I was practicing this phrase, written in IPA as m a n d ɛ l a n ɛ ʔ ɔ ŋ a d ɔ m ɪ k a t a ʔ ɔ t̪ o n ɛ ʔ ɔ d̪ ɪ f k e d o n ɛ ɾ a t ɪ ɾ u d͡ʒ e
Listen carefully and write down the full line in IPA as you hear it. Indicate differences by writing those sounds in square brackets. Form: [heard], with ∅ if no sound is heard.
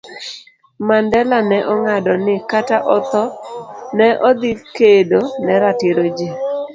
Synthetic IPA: m a n d ɛ l a n ɛ ʔ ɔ ŋ a d ɔ [n] ɪ k a t a ʔ ɔ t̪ [ɔ] n ɛ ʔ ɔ d̪ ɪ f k e d o n ɛ ɾ a t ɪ ɾ [o] d͡ʒ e